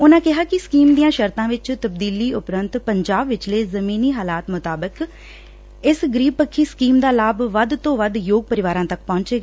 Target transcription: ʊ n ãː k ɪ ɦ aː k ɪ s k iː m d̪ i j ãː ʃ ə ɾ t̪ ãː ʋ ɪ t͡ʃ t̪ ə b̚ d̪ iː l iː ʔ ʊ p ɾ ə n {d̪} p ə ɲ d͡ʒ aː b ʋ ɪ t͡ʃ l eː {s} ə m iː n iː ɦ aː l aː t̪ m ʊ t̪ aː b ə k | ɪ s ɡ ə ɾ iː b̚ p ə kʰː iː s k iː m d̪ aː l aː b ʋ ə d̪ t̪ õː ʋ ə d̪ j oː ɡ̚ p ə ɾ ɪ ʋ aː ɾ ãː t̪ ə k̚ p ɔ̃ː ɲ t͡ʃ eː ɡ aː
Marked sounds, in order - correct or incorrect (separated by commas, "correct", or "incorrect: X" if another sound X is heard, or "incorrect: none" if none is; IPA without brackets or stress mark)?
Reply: incorrect: t̪, incorrect: z